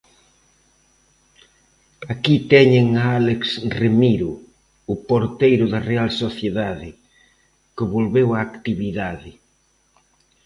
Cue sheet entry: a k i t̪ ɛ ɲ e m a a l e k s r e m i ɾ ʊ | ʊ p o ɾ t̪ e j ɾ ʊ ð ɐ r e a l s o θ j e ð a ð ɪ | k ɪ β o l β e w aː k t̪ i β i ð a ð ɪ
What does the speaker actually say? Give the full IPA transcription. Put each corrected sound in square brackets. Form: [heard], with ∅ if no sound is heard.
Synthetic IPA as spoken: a k i t̪ ɛ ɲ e [ŋ] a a l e k s r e m i ɾ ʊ | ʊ p o ɾ t̪ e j ɾ ʊ ð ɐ r e a l s o θ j e ð a ð ɪ | k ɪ β o l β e w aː k t̪ i β i ð a ð ɪ